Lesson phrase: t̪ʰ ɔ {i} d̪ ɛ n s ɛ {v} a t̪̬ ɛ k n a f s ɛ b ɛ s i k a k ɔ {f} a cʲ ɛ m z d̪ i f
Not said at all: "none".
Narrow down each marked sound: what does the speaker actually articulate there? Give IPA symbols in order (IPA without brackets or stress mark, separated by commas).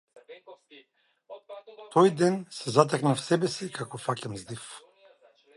j, z, f